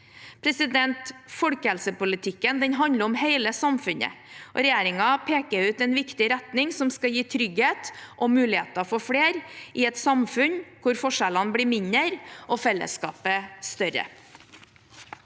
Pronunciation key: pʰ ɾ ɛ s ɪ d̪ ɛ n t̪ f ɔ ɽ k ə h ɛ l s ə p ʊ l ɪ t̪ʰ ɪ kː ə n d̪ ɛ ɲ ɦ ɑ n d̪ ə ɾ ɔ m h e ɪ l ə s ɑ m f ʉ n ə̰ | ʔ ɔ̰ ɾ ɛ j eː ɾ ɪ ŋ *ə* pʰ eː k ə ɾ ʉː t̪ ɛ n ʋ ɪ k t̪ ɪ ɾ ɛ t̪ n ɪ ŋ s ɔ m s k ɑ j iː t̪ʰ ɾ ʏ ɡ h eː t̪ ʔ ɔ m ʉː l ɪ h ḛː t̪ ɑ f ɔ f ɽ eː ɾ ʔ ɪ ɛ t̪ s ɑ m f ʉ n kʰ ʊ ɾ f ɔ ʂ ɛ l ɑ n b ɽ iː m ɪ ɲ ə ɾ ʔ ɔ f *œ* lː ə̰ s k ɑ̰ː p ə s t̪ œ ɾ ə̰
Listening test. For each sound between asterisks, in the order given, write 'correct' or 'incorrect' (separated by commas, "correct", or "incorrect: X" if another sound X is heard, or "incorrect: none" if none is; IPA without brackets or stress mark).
incorrect: ɑ, incorrect: ɛ